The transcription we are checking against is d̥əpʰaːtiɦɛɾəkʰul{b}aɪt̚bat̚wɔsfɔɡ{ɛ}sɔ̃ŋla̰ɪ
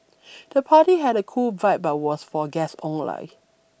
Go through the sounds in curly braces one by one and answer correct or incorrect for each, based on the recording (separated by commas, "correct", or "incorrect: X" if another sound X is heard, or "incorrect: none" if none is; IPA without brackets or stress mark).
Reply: incorrect: v, correct